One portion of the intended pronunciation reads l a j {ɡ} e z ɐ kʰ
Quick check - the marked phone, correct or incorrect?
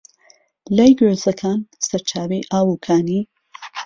correct